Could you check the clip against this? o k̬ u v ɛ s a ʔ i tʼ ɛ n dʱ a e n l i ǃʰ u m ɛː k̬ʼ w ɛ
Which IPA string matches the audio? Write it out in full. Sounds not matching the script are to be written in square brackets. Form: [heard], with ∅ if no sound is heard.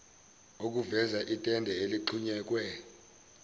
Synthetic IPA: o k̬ u v ɛ [z] a ʔ i tʼ ɛ n dʱ [ɛ] e [∅] l i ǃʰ u [ɲ] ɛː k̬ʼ w ɛ